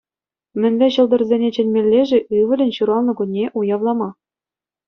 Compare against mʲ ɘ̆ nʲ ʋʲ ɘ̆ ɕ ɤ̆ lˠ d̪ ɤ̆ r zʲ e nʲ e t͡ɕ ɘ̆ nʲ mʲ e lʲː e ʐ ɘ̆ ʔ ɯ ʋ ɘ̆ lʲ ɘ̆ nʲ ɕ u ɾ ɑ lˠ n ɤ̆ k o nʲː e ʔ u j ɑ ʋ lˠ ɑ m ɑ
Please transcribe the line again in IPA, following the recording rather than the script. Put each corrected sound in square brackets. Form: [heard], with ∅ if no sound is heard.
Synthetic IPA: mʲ ɘ̆ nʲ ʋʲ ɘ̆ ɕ ɤ̆ lˠ d̪ ɤ̆ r zʲ e nʲ e t͡ɕ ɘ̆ nʲ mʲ e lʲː e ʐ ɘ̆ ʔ ɯ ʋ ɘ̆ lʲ ɘ̆ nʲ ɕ u ɾ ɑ lˠ n ɤ̆ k [u] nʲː e ʔ u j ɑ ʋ lˠ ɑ m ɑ